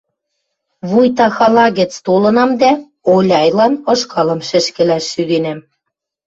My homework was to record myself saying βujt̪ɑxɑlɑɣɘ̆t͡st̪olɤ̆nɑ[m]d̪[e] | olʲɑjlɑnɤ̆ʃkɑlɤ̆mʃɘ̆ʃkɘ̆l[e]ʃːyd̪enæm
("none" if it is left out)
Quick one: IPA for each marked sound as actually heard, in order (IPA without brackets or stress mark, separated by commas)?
m, æ, æ